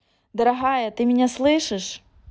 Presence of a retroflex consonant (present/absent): present